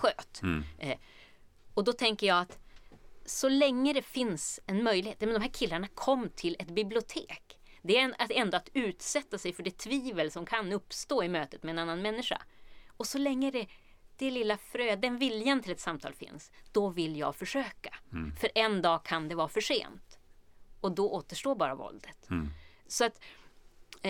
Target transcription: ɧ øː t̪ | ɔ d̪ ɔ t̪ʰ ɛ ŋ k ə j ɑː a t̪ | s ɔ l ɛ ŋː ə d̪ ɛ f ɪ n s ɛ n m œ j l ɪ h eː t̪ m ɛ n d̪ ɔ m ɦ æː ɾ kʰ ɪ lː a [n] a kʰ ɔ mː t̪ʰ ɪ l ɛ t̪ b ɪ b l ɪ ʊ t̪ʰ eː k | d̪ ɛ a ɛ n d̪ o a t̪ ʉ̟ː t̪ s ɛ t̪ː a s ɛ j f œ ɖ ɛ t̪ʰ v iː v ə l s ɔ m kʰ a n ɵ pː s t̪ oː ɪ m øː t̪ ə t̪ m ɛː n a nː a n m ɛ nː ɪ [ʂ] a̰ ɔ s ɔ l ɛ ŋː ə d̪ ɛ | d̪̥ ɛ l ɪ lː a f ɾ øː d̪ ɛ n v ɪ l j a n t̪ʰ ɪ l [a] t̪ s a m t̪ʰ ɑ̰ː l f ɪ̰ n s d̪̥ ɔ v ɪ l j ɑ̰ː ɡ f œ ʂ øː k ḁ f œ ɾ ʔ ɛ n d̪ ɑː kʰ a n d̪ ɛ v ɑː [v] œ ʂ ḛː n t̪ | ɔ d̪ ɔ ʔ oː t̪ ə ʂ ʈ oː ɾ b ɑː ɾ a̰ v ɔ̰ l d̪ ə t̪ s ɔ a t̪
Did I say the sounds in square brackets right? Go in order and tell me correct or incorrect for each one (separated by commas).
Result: incorrect, correct, incorrect, incorrect